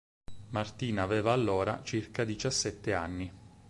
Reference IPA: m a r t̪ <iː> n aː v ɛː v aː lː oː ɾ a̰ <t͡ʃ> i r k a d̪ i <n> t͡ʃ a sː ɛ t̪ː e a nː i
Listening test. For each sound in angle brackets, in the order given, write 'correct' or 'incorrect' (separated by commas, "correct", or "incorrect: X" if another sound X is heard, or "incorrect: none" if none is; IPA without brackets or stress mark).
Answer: correct, correct, incorrect: none